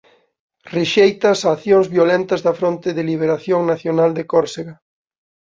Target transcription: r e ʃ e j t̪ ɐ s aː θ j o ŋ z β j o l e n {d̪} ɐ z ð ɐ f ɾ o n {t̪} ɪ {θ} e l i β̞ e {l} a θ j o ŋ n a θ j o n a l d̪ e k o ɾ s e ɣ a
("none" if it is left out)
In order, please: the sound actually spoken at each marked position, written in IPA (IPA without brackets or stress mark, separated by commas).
t̪, t̪, ð, ɾ